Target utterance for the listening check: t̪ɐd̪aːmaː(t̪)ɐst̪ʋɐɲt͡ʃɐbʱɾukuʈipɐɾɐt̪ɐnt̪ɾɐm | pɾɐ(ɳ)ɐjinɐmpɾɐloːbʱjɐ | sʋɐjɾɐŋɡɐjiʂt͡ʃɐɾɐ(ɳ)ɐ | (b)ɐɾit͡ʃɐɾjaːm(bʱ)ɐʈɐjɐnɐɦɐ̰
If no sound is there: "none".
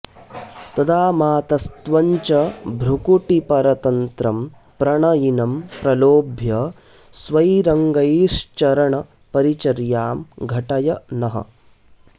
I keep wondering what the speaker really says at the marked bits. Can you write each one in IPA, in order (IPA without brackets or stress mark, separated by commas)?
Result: t̪, ɳ, ɳ, p, ɡʱ